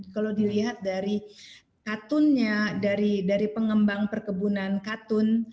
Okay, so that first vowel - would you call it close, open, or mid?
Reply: open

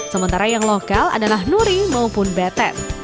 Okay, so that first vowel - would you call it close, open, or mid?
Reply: mid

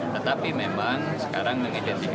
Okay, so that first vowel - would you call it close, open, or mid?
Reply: mid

